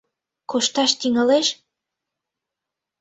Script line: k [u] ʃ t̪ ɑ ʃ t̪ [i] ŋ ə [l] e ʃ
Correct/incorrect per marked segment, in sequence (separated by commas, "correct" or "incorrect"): incorrect, correct, correct